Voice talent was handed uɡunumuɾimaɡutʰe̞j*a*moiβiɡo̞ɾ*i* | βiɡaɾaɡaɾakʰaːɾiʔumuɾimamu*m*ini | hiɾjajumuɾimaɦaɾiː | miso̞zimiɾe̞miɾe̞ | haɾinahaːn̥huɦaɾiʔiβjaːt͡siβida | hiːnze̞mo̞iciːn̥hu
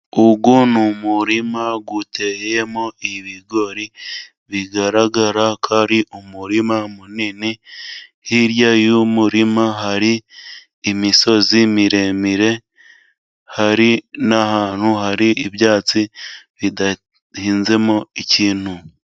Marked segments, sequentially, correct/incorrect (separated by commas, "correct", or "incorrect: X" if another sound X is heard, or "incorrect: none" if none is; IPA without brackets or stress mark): incorrect: e, correct, incorrect: n